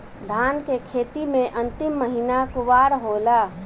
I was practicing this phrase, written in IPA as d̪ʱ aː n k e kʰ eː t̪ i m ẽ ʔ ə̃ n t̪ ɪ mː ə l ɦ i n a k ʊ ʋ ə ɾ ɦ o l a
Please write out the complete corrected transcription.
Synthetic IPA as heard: d̪ʱ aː n k e kʰ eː t̪ i m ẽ ʔ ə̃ n t̪ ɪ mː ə ɦ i n a k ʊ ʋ a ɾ ɦ o l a